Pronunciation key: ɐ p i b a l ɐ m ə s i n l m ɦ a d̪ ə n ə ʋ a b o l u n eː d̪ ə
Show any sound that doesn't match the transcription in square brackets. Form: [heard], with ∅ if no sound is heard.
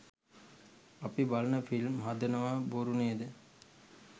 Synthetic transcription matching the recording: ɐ p i b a l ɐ [n] ə [f] i [∅] l m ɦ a d̪ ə n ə ʋ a b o [ɾ] u n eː d̪ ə